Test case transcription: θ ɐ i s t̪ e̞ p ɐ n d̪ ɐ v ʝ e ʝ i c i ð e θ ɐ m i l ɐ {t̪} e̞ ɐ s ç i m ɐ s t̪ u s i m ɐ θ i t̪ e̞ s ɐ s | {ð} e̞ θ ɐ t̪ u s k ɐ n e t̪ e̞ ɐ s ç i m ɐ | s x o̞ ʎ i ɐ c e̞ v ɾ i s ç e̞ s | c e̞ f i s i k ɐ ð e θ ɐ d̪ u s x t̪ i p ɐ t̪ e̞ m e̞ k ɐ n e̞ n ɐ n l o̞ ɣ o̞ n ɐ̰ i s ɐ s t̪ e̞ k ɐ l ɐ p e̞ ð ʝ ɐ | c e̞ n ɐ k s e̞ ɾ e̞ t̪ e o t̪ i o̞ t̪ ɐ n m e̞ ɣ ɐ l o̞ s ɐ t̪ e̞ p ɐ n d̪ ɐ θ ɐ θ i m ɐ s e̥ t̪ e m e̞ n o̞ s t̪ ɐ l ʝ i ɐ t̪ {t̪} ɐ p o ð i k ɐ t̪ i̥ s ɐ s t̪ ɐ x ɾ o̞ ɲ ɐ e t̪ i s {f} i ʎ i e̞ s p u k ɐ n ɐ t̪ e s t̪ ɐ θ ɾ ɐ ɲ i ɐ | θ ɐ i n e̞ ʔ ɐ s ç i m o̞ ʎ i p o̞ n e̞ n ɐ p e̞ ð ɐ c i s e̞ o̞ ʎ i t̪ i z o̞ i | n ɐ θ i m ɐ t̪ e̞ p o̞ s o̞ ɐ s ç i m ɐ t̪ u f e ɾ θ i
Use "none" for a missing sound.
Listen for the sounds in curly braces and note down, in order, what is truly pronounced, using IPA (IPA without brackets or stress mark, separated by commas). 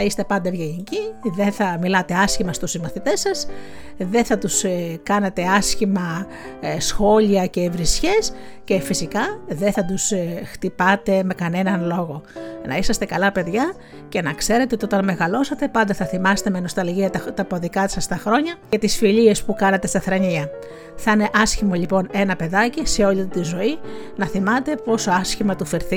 t̪, ð, t̪, f